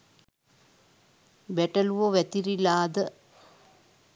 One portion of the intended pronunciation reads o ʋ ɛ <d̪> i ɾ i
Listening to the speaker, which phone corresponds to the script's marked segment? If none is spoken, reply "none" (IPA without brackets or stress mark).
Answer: t̪